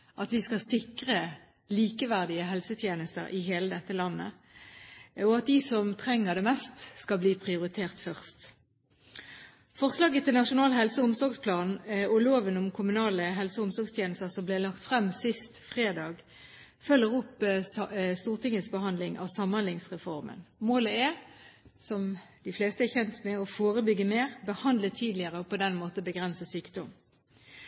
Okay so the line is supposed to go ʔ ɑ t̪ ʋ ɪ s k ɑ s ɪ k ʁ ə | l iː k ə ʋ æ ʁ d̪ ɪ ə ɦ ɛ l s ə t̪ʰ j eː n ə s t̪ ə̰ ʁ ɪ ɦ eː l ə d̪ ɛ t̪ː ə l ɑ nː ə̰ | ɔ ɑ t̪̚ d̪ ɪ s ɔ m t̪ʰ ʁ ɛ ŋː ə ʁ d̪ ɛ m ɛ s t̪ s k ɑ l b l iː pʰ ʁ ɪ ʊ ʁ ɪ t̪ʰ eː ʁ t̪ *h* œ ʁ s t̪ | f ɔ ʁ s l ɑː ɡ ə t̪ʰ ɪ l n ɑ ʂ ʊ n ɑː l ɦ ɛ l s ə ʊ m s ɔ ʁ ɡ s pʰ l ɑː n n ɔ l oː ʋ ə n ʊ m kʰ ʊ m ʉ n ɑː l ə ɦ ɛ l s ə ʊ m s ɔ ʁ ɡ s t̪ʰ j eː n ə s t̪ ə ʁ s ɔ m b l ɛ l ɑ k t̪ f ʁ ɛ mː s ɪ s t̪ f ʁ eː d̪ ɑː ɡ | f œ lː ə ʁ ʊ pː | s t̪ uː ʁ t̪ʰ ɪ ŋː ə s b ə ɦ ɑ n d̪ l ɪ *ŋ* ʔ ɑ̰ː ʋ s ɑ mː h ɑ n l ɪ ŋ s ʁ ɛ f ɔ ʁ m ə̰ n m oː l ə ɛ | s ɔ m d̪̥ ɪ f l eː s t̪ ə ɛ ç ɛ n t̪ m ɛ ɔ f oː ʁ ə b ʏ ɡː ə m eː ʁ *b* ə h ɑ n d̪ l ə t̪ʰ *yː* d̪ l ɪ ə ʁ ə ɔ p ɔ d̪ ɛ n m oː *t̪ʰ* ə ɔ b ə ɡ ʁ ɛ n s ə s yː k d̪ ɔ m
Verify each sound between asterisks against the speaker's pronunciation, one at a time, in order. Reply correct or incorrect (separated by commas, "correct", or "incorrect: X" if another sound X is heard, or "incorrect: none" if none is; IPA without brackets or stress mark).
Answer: incorrect: f, correct, correct, incorrect: iː, incorrect: t̪